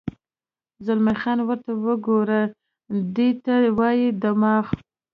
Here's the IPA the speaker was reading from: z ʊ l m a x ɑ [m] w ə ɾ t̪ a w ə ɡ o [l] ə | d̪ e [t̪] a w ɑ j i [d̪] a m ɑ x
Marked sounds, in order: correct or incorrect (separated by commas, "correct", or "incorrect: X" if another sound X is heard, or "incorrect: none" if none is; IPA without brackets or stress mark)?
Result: incorrect: n, incorrect: ɾ, correct, correct